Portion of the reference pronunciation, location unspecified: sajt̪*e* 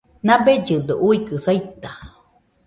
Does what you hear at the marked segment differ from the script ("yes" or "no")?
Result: yes